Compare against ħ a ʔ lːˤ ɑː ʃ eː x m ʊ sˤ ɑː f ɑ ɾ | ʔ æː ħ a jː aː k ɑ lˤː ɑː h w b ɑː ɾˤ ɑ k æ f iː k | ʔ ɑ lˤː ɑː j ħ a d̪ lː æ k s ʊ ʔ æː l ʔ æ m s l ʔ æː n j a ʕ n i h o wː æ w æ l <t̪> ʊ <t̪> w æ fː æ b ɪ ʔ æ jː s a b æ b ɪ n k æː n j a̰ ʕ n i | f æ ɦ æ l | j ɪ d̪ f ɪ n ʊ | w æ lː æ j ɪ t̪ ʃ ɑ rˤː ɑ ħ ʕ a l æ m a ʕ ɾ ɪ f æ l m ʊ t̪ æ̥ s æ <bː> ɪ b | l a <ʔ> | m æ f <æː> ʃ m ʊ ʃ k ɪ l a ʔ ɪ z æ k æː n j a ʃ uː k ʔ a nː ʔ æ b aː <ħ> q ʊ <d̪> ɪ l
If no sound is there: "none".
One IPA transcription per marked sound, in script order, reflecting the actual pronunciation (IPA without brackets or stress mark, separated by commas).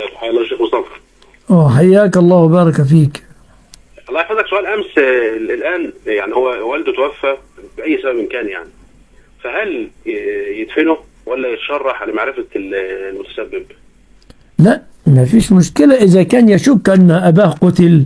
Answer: d̪, t̪, bː, ʔ, iː, h, t̪